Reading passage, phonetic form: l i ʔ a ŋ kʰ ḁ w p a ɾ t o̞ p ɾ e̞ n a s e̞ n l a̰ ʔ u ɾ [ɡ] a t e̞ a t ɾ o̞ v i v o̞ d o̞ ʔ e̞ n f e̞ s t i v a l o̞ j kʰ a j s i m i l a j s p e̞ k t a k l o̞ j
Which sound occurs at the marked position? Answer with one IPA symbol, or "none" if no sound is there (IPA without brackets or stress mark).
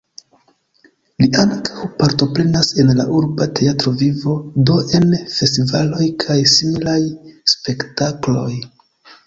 b